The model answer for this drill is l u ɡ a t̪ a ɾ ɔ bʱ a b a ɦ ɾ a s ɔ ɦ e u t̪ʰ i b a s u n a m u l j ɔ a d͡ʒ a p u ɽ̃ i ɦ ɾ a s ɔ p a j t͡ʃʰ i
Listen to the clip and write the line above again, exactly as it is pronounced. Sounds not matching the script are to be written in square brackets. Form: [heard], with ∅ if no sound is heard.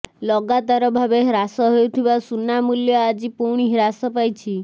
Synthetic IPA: l [ɔ] ɡ a t̪ a ɾ ɔ bʱ a b [e] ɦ ɾ a s ɔ ɦ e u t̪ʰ i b a s u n a m u l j ɔ a d͡ʒ [i] p u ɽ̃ i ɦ ɾ a s ɔ p a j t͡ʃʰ i